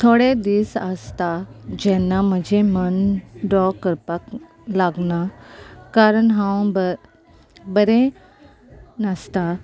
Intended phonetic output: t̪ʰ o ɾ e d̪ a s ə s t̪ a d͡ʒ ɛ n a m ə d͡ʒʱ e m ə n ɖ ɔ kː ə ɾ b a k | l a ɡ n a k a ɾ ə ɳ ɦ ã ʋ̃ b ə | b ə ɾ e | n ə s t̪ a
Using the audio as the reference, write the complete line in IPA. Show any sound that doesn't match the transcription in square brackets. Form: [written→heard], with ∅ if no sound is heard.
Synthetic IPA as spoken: t̪ʰ o [ɾ→ɽ] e d̪ [a→i] s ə s t̪ a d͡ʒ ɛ n a m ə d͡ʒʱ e m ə n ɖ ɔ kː ə ɾ [b→p] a k | l a ɡ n a k a ɾ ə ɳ ɦ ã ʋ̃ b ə | b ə ɾ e | n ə s t̪ a